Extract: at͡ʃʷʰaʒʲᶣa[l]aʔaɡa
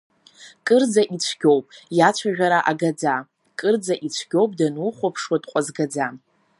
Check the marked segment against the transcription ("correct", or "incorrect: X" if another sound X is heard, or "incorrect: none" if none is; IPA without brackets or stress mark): incorrect: ɾ